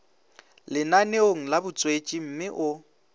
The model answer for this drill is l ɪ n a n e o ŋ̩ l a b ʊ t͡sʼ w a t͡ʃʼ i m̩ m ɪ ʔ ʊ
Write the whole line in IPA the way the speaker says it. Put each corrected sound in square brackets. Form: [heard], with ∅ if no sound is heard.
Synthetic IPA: l ɪ n a n e o ŋ̩ l a b ʊ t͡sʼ w [e] t͡ʃʼ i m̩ m ɪ ʔ ʊ